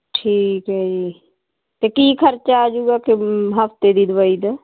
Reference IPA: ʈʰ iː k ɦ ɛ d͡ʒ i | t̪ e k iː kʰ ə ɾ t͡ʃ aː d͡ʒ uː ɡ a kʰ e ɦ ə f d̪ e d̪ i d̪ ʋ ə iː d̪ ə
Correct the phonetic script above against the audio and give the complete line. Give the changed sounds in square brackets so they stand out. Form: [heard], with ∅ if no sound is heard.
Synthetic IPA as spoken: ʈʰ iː k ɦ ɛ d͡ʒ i | t̪ e k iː kʰ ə ɾ t͡ʃ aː d͡ʒ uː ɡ a [k] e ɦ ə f [t̪] e d̪ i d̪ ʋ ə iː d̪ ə